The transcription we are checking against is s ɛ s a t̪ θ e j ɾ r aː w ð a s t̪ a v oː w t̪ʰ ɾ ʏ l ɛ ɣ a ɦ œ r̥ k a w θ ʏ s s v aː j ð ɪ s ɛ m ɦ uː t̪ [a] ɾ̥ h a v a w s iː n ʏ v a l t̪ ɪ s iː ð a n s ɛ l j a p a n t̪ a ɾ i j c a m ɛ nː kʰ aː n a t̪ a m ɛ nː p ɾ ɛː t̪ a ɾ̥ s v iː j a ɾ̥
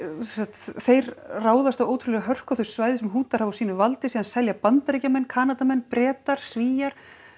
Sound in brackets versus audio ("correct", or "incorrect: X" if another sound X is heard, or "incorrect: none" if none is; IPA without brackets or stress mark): correct